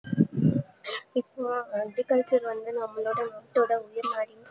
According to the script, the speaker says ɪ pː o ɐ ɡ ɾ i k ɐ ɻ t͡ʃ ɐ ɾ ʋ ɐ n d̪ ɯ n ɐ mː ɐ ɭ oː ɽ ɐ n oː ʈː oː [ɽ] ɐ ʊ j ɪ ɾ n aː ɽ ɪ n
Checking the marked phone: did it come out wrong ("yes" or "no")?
no